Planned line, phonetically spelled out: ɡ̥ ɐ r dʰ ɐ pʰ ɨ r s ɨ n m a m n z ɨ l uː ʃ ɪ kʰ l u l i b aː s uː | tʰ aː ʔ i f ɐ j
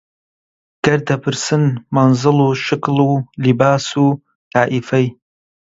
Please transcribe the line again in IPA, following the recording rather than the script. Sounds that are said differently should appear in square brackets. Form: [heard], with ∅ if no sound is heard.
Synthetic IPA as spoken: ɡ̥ ɐ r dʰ ɐ pʰ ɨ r s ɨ n m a [∅] n z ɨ l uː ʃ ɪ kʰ l u l i b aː s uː | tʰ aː ʔ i f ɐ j